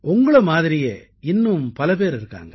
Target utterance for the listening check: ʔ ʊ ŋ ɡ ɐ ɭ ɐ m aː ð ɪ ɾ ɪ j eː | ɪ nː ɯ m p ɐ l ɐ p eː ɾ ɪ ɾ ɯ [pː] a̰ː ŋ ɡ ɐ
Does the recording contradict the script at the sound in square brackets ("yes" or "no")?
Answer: yes